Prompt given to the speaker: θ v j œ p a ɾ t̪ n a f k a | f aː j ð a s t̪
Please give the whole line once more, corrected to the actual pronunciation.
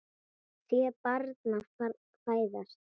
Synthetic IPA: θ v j ɛ p a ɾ t̪ n a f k a | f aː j ð a s t̪